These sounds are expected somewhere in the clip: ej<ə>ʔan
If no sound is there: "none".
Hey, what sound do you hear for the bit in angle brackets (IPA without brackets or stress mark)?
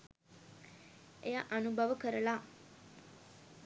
a